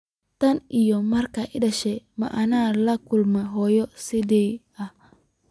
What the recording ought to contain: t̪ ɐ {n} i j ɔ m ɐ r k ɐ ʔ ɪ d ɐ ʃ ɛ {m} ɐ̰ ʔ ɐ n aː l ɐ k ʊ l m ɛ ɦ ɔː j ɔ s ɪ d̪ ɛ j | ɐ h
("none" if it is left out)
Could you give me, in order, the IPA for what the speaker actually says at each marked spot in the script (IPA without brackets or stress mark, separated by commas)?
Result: n, m